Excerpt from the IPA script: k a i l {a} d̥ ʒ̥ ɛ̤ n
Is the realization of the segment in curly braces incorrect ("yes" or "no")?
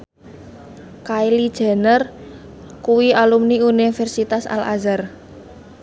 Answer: yes